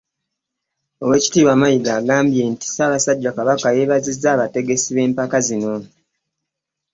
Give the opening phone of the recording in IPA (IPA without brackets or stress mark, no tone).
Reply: o̞